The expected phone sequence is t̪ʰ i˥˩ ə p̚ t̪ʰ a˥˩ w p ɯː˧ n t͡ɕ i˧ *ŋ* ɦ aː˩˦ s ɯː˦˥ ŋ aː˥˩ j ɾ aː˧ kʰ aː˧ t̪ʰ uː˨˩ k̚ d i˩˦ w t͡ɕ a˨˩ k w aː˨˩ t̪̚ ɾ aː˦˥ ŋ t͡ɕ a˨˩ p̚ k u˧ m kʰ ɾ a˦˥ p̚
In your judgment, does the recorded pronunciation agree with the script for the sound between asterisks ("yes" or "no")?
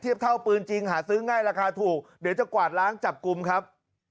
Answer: yes